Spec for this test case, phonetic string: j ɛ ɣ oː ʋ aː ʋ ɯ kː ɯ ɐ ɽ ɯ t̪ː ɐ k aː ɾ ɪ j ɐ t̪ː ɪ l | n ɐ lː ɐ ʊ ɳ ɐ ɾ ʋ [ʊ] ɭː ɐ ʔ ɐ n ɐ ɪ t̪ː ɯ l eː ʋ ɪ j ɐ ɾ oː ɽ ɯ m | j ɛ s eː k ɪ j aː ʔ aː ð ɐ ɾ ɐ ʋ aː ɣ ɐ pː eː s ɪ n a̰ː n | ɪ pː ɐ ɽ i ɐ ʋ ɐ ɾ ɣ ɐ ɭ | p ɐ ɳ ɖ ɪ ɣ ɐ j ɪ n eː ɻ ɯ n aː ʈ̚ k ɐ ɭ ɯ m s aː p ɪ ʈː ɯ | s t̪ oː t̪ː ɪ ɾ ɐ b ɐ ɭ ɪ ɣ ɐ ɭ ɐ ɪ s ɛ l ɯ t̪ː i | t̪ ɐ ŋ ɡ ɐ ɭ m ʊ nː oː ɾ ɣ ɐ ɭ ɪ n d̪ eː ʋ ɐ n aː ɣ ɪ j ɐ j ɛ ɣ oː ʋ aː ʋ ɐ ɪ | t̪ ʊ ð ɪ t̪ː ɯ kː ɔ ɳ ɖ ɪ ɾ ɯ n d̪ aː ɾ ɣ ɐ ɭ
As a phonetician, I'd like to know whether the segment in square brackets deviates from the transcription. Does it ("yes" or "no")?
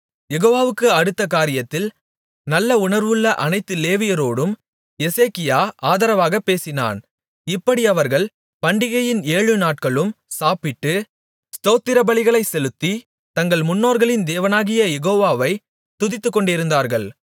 yes